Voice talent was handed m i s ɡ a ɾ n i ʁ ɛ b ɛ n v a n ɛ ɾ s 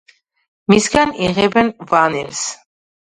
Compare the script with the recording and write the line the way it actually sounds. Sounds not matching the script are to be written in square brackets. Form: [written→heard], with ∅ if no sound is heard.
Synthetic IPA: m i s ɡ a [ɾ→∅] n i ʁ ɛ b ɛ n v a n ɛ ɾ s